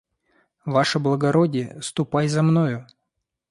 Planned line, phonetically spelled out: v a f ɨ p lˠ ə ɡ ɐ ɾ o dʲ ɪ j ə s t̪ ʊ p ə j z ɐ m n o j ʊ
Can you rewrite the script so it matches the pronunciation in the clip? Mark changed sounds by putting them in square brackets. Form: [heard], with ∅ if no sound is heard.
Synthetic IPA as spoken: v a [ʂ] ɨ [b] lˠ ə ɡ ɐ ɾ o dʲ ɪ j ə s t̪ ʊ p [a] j z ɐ m n o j ʊ

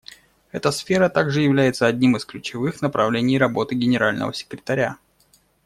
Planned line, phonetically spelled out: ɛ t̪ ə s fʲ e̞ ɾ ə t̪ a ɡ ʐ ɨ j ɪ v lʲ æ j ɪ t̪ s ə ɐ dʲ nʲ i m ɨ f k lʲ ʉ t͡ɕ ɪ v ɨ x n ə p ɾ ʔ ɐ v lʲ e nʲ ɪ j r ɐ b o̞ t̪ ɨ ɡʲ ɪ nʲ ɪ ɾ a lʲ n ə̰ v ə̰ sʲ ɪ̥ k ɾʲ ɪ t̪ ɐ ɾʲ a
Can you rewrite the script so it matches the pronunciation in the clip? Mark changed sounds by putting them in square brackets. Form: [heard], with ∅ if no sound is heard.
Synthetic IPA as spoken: ɛ t̪ ə s fʲ e̞ ɾ ə t̪ a ɡ ʐ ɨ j ɪ v lʲ æ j ɪ t̪ s ə ɐ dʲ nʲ i m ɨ [s] k lʲ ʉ t͡ɕ ɪ v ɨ x n ə p ɾ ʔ ɐ v lʲ e nʲ ɪ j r ɐ b o̞ t̪ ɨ ɡʲ ɪ nʲ ɪ ɾ a lʲ n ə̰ v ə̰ sʲ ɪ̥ k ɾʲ ɪ t̪ ɐ ɾʲ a

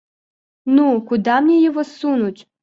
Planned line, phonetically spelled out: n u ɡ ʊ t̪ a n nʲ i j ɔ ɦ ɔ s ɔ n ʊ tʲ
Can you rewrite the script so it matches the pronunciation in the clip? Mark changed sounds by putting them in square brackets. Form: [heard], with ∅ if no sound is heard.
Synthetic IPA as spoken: n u [k] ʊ [d̪] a [m] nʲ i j ɔ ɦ ɔ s [u] n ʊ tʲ

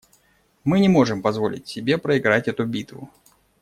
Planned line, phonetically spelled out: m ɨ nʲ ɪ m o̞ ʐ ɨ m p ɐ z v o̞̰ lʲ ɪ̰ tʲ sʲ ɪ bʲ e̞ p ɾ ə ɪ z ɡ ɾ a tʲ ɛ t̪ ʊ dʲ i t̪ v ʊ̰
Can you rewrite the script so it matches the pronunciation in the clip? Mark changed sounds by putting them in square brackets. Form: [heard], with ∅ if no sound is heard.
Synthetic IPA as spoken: m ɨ nʲ ɪ m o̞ ʐ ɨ m p ɐ z v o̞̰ lʲ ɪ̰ tʲ sʲ ɪ bʲ e̞ p ɾ ə ɪ [∅] ɡ ɾ a tʲ ɛ t̪ ʊ [bʲ] i t̪ v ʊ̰

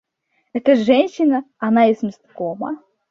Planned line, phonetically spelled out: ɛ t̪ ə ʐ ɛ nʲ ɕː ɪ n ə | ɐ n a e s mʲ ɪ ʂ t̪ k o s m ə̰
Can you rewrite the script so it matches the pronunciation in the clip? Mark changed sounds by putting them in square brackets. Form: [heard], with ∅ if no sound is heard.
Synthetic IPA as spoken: ɛ t̪ ə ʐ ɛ nʲ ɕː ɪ n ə | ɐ n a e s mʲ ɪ [s] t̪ k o [∅] m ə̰

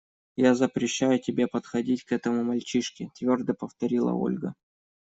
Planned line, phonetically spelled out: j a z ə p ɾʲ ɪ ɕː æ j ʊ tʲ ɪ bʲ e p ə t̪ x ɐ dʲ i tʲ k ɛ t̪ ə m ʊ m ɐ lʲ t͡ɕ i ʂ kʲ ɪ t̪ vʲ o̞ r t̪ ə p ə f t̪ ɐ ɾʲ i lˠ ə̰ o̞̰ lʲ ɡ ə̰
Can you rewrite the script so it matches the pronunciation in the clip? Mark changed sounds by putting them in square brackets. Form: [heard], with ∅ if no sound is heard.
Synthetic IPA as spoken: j a z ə p ɾʲ ɪ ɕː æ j ʊ tʲ ɪ bʲ e p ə t̪ x ɐ dʲ i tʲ k ɛ t̪ ə m ʊ m ɐ lʲ t͡ɕ i ʂ kʲ ɪ t̪ vʲ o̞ r [d̪] ə p ə f t̪ ɐ ɾʲ i lˠ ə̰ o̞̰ lʲ ɡ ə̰

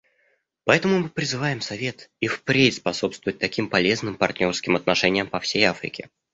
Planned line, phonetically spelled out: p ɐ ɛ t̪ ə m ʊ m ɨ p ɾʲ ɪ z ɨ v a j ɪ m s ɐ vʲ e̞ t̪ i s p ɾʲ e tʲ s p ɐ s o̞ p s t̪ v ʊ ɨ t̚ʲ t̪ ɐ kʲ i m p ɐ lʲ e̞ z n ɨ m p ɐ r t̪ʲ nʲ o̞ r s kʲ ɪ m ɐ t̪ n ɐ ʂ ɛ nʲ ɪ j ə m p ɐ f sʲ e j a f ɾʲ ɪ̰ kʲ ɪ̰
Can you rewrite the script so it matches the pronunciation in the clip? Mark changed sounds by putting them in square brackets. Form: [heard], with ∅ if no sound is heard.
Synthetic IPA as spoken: p ɐ ɛ t̪ ə m ʊ m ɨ p ɾʲ ɪ z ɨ v a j ɪ m s ɐ vʲ e̞ t̪ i [f] p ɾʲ e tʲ s p ɐ s o̞ p s t̪ v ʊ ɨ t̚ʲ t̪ ɐ kʲ i m p ɐ lʲ e̞ z n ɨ m p ɐ r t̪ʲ nʲ o̞ r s kʲ ɪ m ɐ t̪ n ɐ ʂ ɛ nʲ ɪ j ə m p ɐ f sʲ e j a f ɾʲ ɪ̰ kʲ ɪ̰

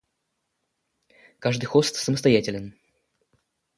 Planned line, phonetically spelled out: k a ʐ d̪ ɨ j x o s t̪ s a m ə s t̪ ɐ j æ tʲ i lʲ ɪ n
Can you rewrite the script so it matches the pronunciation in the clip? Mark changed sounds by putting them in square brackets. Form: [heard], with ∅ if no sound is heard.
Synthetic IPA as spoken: k a ʐ d̪ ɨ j x o s t̪ s [ə] m ə s t̪ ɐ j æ tʲ [ɪ] lʲ ɪ n

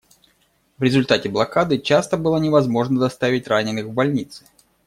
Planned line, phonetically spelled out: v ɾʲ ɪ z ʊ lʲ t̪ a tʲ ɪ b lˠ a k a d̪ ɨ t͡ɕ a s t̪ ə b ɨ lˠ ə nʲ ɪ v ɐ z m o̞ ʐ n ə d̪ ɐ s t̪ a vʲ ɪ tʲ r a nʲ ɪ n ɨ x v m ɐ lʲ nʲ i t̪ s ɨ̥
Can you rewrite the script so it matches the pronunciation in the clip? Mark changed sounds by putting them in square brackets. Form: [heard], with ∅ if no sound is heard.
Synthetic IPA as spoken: v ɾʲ ɪ z ʊ lʲ t̪ a tʲ ɪ b lˠ [ɐ] k a d̪ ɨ t͡ɕ a s t̪ ə b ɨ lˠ ə nʲ ɪ v ɐ z m o̞ ʐ n ə d̪ ɐ s t̪ a vʲ ɪ tʲ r a nʲ ɪ n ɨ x v [b] ɐ lʲ nʲ i t̪ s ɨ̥

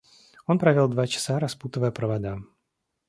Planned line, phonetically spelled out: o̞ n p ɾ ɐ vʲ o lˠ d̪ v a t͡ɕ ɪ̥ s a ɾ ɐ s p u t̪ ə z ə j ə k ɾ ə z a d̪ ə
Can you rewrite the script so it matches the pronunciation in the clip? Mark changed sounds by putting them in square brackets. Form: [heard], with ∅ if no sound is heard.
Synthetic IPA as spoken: o̞ n p ɾ ɐ vʲ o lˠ d̪ v a t͡ɕ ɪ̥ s a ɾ ɐ s p u t̪ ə [v] ə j ə [p] ɾ ə [v] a d̪ [a]

